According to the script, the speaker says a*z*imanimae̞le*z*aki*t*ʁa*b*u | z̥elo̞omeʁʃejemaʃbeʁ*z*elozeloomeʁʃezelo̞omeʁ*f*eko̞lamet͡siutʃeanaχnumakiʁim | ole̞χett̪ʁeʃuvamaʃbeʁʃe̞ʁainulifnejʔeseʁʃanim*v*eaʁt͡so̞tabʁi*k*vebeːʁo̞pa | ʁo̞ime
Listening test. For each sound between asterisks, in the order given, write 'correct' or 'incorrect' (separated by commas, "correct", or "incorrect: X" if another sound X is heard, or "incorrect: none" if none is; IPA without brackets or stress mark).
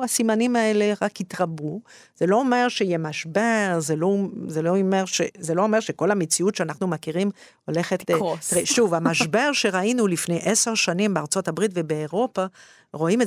incorrect: s, incorrect: ʁ, correct, correct, correct, incorrect: ʃ, incorrect: b, incorrect: t